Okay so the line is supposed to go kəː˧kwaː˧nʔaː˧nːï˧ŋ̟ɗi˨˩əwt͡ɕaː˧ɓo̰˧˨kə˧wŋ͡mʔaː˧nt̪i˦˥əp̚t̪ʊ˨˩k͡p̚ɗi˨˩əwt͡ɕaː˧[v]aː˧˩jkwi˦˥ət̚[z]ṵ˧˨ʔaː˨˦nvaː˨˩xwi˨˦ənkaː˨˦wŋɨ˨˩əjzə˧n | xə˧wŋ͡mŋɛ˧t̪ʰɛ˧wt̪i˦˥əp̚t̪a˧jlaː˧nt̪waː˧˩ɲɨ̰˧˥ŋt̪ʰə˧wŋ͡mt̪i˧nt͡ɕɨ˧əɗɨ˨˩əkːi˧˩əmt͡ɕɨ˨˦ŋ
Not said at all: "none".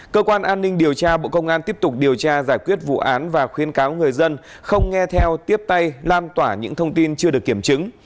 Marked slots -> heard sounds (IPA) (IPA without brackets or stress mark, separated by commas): z, v